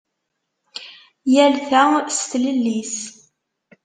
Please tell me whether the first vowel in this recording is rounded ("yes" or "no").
no